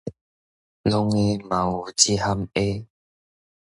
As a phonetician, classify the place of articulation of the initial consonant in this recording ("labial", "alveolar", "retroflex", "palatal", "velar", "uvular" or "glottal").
alveolar